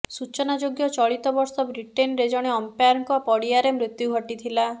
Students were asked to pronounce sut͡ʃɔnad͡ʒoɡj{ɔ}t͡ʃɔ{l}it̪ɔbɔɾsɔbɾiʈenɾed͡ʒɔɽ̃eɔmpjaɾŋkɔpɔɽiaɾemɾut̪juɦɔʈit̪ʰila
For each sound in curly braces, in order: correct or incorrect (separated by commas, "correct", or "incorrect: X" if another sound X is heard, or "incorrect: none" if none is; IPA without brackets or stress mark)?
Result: correct, incorrect: ɭ